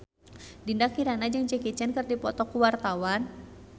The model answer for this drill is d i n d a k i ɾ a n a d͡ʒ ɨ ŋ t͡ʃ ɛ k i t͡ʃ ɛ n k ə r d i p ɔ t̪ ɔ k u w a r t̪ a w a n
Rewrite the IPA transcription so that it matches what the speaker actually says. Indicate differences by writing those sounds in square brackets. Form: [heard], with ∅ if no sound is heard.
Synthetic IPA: d i n d a k i ɾ a n a d͡ʒ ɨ ŋ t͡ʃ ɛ k i t͡ʃ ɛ n k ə r d i p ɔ t̪ ɔ k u w a r t̪ a w a n